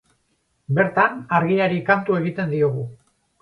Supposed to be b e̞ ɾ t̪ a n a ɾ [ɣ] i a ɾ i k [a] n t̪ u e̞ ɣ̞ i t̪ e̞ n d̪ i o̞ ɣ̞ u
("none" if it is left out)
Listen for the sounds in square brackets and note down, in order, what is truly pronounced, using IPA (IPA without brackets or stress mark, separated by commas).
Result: ɣ, a